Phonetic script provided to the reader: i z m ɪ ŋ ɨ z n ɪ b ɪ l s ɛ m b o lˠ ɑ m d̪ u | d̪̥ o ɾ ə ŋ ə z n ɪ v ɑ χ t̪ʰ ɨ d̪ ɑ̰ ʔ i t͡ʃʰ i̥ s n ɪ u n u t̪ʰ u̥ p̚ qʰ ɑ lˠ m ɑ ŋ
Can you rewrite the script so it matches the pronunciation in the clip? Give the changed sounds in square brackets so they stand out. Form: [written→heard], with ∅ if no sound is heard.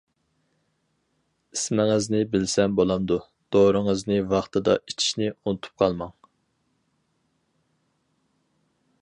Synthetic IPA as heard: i [z→s] m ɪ ŋ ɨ z n ɪ b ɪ l s ɛ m b o lˠ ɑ m d̪ u | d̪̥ o ɾ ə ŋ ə z n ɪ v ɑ χ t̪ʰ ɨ d̪ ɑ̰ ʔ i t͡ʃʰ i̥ [s→ʃ] n ɪ u n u t̪ʰ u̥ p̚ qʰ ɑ lˠ m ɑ ŋ

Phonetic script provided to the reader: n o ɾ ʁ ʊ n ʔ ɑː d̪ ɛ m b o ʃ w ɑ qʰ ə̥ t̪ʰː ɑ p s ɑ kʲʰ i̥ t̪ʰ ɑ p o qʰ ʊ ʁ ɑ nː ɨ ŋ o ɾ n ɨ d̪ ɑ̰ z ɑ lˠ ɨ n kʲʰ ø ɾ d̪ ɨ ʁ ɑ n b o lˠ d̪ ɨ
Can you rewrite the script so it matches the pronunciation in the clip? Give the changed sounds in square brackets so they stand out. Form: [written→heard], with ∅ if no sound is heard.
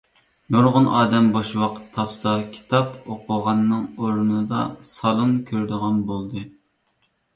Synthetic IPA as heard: n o ɾ ʁ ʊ n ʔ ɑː d̪ ɛ m b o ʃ w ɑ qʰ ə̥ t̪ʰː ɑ p s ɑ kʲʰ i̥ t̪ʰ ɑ p o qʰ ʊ ʁ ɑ nː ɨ ŋ o ɾ n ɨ d̪ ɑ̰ [z→s] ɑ lˠ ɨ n kʲʰ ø ɾ d̪ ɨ ʁ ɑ n b o lˠ d̪ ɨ

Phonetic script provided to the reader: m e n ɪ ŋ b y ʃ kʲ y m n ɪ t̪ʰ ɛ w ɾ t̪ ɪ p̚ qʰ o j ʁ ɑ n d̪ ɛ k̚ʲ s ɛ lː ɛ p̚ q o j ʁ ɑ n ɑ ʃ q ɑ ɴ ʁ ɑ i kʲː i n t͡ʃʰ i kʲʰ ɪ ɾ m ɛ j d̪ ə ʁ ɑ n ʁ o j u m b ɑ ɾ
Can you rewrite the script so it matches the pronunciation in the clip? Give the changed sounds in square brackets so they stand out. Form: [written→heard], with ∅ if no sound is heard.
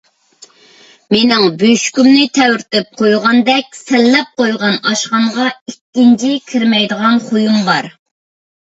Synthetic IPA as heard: m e n ɪ ŋ b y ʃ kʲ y m n ɪ t̪ʰ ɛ w ɾ t̪ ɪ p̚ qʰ o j ʁ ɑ n d̪ ɛ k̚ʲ s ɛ lː ɛ p̚ q o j ʁ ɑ n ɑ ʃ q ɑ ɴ ʁ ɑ i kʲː i n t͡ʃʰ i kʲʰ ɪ ɾ m ɛ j d̪ ə ʁ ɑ n [ʁ→χ] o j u m b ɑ ɾ

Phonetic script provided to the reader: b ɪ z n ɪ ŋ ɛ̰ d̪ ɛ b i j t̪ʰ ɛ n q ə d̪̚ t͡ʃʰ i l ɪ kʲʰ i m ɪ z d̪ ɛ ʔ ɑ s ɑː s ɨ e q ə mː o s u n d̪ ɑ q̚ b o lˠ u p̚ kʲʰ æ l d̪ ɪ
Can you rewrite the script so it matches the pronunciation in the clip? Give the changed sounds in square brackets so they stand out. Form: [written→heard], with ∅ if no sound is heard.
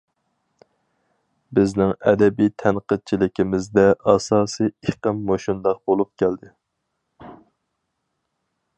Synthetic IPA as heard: b ɪ z n ɪ ŋ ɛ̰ d̪ ɛ b i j t̪ʰ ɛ n q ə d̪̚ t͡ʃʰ i l ɪ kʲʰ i m ɪ z d̪ ɛ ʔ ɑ s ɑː s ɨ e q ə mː o [s→ʃ] u n d̪ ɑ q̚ b o lˠ u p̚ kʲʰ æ l d̪ ɪ

